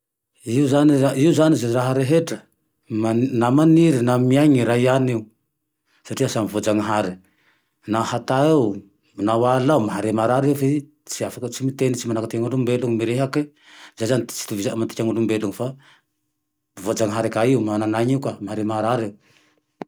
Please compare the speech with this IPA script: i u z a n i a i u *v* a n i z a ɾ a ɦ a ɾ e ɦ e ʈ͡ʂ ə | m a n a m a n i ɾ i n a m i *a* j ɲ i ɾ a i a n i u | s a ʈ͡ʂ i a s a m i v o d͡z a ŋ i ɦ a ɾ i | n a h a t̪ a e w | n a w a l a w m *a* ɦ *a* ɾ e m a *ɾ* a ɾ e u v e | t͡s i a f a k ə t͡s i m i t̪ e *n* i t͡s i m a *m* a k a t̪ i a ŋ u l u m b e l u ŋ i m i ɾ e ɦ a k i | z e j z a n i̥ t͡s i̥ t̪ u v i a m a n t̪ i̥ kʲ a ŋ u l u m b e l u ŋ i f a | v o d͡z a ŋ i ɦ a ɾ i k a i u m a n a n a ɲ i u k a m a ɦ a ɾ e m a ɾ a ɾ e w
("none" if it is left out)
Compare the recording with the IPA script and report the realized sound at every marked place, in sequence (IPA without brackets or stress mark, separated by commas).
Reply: z, a, a, a, ɾ, n, n